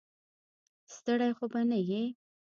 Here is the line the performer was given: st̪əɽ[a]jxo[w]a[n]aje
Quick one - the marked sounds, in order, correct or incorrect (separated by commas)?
correct, incorrect, correct